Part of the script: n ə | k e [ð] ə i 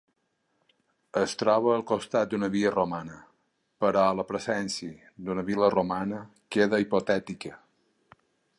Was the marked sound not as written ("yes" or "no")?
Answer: no